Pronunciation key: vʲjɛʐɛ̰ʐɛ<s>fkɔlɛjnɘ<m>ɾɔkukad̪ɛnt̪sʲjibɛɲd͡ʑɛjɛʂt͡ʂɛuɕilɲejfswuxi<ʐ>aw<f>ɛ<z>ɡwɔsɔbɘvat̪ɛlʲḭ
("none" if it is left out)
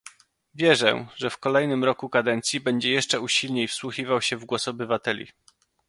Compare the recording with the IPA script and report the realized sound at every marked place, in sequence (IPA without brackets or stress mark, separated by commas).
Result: none, m, v, ɕ, v